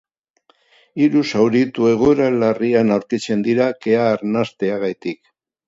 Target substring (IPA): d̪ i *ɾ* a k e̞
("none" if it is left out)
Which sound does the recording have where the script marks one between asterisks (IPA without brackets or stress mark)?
ɾ